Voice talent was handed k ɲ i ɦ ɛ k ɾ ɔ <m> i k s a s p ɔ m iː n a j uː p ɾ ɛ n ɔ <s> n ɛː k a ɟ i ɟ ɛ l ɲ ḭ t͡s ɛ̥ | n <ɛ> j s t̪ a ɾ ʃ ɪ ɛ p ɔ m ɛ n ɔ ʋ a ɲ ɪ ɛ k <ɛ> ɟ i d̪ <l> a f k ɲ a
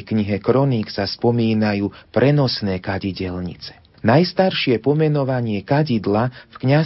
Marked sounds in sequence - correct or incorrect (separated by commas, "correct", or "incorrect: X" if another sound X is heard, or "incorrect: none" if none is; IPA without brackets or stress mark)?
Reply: incorrect: n, correct, incorrect: a, incorrect: a, correct